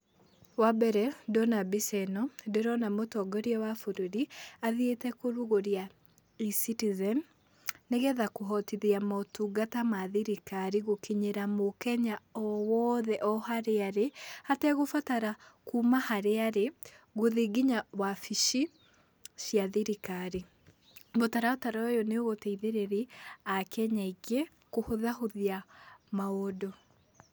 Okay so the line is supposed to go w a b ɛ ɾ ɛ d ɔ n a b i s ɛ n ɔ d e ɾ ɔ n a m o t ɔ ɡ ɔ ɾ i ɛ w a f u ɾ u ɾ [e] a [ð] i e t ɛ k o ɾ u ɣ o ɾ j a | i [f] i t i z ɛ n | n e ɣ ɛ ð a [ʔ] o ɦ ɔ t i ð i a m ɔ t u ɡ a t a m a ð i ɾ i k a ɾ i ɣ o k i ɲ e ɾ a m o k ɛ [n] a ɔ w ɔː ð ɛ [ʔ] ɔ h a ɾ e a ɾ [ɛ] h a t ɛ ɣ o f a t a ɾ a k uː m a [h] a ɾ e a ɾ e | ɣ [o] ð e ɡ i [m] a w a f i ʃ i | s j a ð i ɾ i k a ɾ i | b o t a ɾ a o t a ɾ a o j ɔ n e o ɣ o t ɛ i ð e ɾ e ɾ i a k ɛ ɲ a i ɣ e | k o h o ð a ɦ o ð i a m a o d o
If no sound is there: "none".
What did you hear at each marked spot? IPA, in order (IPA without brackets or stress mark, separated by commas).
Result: i, ð, s, k, ɲ, ʔ, e, h, o, ɲ